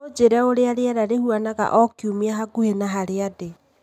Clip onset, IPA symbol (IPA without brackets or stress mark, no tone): o